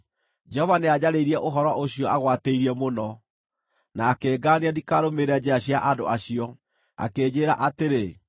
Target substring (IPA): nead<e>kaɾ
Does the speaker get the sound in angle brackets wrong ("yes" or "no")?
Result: yes